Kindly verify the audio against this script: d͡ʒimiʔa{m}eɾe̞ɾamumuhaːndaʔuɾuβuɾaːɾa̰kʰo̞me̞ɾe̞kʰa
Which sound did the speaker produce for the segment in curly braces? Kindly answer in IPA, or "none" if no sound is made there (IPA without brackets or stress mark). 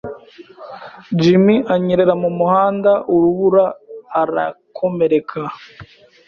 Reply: ɲ